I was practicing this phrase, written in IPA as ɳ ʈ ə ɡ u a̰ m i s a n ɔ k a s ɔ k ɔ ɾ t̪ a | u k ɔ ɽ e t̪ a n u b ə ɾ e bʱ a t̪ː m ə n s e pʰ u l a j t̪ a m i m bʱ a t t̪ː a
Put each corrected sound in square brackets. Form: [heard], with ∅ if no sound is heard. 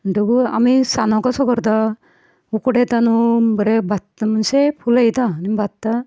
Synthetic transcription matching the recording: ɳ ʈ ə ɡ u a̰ m i s a n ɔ k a s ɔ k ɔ ɾ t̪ a | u k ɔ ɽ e t̪ a n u b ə ɾ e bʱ a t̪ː m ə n s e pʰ u l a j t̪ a [n] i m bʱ a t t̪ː a